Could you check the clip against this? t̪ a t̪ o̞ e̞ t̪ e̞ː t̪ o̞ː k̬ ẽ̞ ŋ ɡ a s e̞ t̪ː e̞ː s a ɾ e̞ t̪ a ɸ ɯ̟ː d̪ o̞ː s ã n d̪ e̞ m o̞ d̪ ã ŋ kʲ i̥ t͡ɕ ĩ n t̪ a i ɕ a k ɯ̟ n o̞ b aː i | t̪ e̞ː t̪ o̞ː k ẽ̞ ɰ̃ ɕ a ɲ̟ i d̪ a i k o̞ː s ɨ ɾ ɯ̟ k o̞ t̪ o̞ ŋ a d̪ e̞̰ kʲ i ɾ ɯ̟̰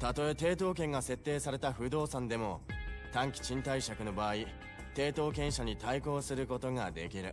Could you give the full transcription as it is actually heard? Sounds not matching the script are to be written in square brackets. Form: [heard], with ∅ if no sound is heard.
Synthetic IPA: t̪ a t̪ o̞ e̞ t̪ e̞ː t̪ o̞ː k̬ ẽ̞ ŋ ɡ a s e̞ t̪ː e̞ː s a ɾ e̞ t̪ a ɸ [ɯ̟] d̪ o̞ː s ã n d̪ e̞ m o̞ [t̪] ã ŋ kʲ i̥ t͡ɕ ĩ n t̪ a i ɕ a k ɯ̟ n o̞ b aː i | t̪ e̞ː t̪ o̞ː k ẽ̞ ɰ̃ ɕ a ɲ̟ i [t̪] a i k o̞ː s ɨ ɾ ɯ̟ k o̞ t̪ o̞ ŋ a d̪ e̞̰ kʲ i ɾ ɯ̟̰

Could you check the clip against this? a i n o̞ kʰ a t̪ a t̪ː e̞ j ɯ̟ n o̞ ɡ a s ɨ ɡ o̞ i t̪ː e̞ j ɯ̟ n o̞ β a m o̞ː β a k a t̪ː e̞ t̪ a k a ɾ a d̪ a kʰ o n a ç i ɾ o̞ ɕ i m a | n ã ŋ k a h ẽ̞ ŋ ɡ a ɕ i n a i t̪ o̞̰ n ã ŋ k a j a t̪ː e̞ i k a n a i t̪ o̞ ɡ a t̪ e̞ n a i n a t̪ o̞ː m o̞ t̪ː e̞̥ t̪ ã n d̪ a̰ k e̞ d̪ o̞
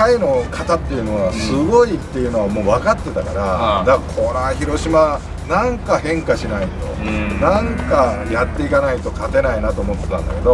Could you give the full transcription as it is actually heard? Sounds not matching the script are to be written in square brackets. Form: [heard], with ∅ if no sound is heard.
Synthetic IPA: a i n o̞ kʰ a t̪ a t̪ː e̞ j ɯ̟ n o̞ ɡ a s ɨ ɡ o̞ i t̪ː e̞ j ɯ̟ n o̞ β a m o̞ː β a k a t̪ː e̞ t̪ a k a ɾ a d̪ a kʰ o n a ç i ɾ o̞ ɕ i m a | n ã ŋ k a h ẽ̞ ŋ [k] a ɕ i n a i t̪ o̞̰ n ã ŋ k a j a t̪ː e̞ i k a n a i t̪ o̞ [k] a t̪ e̞ n a i n a t̪ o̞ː m o̞ t̪ː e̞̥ t̪ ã n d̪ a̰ k e̞ d̪ o̞

